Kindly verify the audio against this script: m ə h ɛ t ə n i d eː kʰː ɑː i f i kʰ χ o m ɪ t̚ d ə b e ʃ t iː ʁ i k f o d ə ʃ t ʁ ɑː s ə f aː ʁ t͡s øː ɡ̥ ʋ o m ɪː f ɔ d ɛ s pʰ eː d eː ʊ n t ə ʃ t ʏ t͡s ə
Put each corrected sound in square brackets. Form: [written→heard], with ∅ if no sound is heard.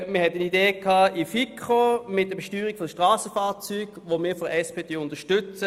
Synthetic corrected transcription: m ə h ɛ t ə n i d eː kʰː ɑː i f i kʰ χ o m ɪ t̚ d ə b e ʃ t [iː→yː] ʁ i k f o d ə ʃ t ʁ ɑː s ə f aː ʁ t͡s [øː→yː] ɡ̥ ʋ o m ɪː f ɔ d ɛ s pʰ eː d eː ʊ n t ə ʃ t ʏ t͡s ə